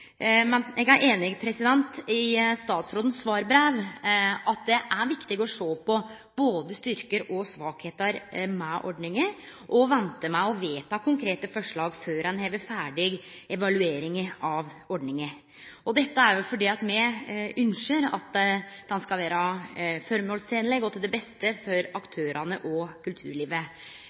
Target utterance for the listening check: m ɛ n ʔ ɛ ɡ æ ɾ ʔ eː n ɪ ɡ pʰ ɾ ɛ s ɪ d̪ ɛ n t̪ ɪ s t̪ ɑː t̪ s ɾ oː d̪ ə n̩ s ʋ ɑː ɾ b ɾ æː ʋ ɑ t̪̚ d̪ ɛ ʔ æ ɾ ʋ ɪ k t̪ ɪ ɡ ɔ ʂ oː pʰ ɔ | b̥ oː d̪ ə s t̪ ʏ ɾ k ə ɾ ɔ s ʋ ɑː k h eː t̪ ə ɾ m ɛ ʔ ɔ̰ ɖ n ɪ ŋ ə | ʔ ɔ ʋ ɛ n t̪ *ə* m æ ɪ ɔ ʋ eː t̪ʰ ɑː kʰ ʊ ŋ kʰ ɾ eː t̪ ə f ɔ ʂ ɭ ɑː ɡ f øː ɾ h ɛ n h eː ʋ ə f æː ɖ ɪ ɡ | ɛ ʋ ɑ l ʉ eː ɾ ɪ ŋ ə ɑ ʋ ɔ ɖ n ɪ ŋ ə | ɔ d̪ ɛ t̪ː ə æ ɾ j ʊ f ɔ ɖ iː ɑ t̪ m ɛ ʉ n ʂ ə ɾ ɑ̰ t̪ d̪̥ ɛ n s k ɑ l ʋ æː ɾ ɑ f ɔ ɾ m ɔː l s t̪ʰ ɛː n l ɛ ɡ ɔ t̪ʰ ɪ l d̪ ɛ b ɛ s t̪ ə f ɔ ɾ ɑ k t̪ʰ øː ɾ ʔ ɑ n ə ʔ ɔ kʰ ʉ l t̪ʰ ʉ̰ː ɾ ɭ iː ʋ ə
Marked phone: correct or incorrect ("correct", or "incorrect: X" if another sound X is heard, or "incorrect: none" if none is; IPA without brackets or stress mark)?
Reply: correct